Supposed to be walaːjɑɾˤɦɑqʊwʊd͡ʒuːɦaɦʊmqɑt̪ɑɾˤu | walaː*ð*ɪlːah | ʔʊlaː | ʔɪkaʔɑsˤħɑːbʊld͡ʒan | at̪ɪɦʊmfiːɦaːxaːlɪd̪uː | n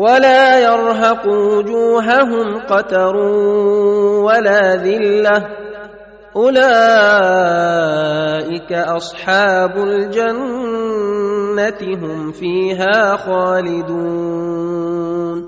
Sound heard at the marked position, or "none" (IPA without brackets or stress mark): ð